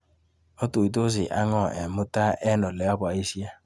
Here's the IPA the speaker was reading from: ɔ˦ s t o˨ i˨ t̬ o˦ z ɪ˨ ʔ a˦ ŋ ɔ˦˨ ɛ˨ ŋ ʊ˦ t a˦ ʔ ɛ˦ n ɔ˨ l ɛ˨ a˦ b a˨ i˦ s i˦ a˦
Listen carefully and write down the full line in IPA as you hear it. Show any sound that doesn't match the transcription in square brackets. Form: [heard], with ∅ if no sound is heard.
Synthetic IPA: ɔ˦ [∅] t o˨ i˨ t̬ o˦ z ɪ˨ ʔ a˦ ŋ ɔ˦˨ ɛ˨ [m] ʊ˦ t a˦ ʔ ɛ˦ n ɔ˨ l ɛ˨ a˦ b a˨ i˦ s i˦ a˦